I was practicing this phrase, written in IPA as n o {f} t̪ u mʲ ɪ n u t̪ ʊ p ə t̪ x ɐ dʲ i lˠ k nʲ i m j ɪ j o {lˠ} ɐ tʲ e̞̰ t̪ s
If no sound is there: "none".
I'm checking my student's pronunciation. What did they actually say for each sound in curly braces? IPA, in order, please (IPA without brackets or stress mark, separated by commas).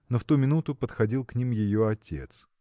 f, none